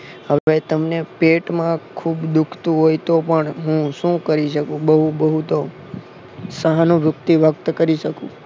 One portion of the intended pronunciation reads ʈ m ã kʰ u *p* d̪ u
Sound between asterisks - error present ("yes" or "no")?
yes